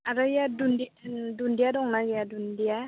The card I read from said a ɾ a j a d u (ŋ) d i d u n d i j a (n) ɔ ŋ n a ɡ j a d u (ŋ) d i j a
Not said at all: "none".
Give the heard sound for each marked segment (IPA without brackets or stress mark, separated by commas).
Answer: n, d, n